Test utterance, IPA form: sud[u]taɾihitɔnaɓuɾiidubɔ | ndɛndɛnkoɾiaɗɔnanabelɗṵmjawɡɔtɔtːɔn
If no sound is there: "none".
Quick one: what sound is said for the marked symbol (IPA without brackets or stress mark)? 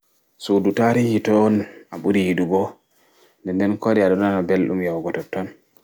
u